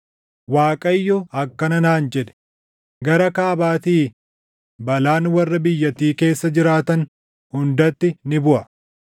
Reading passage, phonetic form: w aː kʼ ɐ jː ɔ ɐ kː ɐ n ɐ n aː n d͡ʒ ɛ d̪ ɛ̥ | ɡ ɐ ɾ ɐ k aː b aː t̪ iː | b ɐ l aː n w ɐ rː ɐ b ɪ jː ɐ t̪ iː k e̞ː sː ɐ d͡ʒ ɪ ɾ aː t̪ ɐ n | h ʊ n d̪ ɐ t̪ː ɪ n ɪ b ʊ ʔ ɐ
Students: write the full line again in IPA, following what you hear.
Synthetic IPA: w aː kʼ ɐ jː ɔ ɐ kː ɐ n ɐ n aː n d͡ʒ ɛ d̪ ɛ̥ | ɡ ɐ ɾ ɐ k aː b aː t̪ iː | b ɐ l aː n w ɐ rː ɐ b ɪ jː ɐ t̪ iː k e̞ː sː ɐ d͡ʒ ɪ ɾ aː t̪ ɐ n | h ʊ n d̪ ɐ t̪ː ɪ n ɪ b ʊ ʔ ɐ

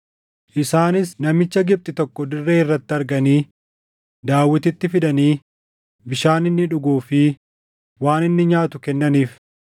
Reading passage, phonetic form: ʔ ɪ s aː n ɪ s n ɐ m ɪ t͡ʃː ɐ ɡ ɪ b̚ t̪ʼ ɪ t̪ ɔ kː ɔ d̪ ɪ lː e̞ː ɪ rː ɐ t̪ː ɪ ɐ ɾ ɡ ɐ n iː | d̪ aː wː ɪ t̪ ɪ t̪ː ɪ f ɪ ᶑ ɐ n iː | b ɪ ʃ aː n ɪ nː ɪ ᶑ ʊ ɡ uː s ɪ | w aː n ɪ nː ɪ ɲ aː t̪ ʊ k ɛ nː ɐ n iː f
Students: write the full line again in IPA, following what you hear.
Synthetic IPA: ʔ ɪ s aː n ɪ s n ɐ m ɪ t͡ʃː ɐ ɡ ɪ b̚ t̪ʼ ɪ t̪ ɔ kː ɔ d̪ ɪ rː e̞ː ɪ rː ɐ t̪ː ɪ ɐ ɾ ɡ ɐ n iː | d̪ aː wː ɪ t̪ ɪ t̪ː ɪ f ɪ ᶑ ɐ n iː | b ɪ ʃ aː n ɪ nː ɪ ᶑ ʊ ɡ uː f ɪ | w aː n ɪ nː ɪ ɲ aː t̪ ʊ k ɛ nː ɐ n iː f

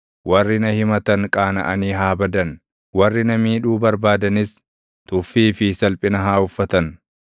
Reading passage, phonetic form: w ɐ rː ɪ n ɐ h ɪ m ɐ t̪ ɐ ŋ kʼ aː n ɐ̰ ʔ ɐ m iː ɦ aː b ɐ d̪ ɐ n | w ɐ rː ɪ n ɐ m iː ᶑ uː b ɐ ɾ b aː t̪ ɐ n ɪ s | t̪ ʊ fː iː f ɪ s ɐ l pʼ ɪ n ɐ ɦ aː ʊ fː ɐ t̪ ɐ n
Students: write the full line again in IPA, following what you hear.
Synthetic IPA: w ɐ rː ɪ n ɐ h ɪ m ɐ t̪ ɐ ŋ kʼ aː n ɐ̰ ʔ ɐ n iː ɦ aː b ɐ d̪ ɐ n | w ɐ rː ɪ n ɐ m iː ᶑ uː b ɐ ɾ b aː d̪ ɐ n ɪ s | t̪ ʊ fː iː f ɪ s ɐ l pʼ ɪ n ɐ ɦ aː ʊ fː ɐ t̪ ɐ n

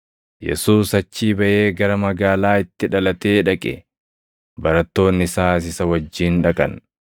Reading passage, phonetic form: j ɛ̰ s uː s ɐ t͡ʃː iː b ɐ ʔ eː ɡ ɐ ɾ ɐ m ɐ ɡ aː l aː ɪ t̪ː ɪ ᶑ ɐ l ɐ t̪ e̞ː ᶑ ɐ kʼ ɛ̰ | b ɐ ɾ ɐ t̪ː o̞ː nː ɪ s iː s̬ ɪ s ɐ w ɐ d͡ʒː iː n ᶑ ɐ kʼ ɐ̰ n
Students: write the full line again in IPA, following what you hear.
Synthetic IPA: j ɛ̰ s uː s ɐ t͡ʃː iː b ɐ ʔ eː ɡ ɐ ɾ ɐ m ɐ ɡ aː l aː ɪ t̪ː ɪ ᶑ ɐ l ɐ t̪ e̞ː ᶑ ɐ kʼ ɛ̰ | b ɐ ɾ ɐ t̪ː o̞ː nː ɪ s aː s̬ ɪ s ɐ w ɐ d͡ʒː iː n ᶑ ɐ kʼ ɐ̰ n

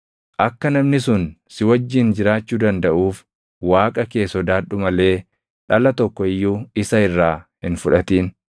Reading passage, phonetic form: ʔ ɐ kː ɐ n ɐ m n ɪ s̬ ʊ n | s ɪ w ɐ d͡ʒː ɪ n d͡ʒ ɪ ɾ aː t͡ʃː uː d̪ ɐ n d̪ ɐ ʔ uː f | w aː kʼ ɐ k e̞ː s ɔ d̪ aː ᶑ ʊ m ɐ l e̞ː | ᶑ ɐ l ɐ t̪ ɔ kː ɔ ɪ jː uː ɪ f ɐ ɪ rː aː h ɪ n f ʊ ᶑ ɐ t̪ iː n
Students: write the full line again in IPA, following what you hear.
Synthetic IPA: ʔ ɐ kː ɐ n ɐ m n ɪ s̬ ʊ n | s ɪ w ɐ d͡ʒː ɪ n d͡ʒ ɪ ɾ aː t͡ʃː uː d̪ ɐ n d̪ ɐ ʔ uː f | w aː kʼ ɐ k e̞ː s ɔ d̪ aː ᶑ ʊ m ɐ l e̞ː | ᶑ ɐ l ɐ t̪ ɔ kː ɔ ɪ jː uː ɪ s ɐ ɪ rː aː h ɪ n f ʊ ᶑ ɐ t̪ iː n

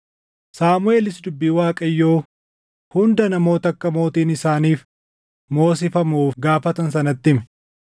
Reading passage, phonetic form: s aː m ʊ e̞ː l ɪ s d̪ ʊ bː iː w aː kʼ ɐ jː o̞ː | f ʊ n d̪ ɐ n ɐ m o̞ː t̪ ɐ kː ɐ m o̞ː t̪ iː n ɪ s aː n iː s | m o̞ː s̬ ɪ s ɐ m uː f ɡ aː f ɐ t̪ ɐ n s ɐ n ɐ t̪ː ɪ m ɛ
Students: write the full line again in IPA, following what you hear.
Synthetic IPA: s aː m ʊ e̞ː l ɪ s d̪ ʊ bː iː w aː kʼ ɐ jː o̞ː | h ʊ n d̪ ɐ n ɐ m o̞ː t̪ ɐ kː ɐ m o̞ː t̪ iː n ɪ s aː n iː f | m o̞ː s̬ ɪ f ɐ m uː f ɡ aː f ɐ t̪ ɐ n s ɐ n ɐ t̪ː ɪ m ɛ

